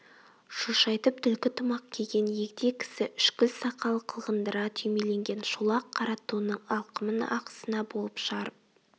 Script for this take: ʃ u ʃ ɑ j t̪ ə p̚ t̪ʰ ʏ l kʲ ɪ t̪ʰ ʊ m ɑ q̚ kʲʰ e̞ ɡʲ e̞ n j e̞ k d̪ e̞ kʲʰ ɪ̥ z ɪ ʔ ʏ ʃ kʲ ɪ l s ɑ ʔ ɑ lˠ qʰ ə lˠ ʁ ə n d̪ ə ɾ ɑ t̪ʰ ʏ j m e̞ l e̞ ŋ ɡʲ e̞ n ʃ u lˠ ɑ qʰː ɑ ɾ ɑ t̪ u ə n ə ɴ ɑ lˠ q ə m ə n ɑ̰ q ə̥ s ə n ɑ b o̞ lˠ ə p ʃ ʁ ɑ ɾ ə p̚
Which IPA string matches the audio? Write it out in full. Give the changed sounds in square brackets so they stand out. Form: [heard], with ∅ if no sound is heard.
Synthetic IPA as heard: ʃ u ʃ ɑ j t̪ ə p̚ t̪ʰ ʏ l kʲ ɪ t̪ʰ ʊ m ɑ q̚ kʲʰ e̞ ɡʲ e̞ n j e̞ k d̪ e̞ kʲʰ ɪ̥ [s] ɪ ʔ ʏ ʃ kʲ ɪ l s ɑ [q] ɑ lˠ qʰ ə lˠ ʁ ə n d̪ ə ɾ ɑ t̪ʰ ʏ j m e̞ l e̞ ŋ ɡʲ e̞ n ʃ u lˠ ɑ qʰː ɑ ɾ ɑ t̪ u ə n ə ɴ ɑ lˠ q ə m ə n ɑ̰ q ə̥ s ə n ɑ b o̞ lˠ ə p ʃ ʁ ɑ ɾ ə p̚